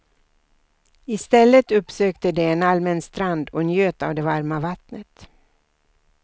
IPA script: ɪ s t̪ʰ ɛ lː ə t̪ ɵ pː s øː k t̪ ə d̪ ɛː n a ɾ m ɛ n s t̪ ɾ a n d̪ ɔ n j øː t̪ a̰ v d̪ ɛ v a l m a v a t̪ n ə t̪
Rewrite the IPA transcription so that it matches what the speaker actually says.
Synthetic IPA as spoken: ɪ s t̪ ɛ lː ə t̪ ɵ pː s øː k t̪ ə d̪ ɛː n a l m ɛ n s t̪ ɾ a n d̪ ɔ n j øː t̪ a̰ v d̪ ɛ v a ɾ m a v a t̪ n ə t̪